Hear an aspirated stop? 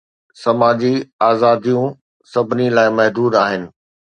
no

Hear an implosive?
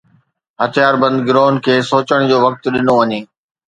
yes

